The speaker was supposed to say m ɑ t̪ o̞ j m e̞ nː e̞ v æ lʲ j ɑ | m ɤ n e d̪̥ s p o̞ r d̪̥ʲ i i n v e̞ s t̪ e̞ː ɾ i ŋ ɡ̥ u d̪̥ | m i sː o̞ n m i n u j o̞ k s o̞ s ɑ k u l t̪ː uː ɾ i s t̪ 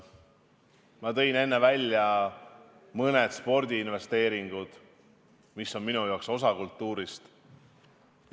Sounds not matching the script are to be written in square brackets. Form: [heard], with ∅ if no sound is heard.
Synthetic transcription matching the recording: m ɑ t̪ [ɤ̞] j [n] e̞ nː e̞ v æ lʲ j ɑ | m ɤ n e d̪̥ s p o̞ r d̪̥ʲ i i n v e̞ s t̪ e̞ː ɾ i ŋ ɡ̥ u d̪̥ | m i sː o̞ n m i n u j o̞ k s o̞ s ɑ k u l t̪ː uː ɾ i s t̪